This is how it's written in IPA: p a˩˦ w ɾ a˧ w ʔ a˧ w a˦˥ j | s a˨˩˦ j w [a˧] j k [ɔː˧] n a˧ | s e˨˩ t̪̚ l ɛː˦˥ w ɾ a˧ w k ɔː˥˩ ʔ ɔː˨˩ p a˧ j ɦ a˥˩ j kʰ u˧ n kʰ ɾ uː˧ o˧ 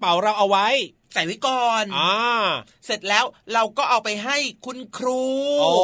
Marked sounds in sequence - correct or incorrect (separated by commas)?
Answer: incorrect, correct